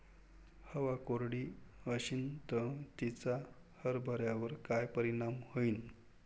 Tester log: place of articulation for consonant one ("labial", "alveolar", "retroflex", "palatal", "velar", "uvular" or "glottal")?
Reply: glottal